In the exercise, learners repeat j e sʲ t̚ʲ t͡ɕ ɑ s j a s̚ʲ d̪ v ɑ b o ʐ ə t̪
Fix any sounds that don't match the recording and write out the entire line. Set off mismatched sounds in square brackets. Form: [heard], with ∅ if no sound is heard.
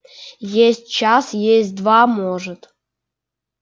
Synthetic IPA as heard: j e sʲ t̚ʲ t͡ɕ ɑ s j [e] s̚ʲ d̪ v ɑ [m] o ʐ ə t̪